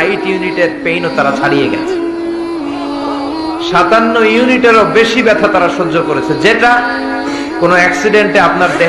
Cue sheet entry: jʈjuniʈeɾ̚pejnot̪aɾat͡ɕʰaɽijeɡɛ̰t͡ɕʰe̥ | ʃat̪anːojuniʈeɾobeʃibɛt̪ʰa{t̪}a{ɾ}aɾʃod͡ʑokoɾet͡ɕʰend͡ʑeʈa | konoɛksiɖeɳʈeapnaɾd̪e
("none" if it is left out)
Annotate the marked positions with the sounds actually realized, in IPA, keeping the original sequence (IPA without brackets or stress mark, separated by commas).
t̪, ɾ